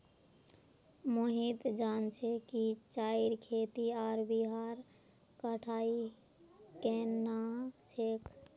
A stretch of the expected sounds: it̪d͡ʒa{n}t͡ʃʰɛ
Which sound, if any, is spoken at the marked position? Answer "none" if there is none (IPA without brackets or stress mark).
n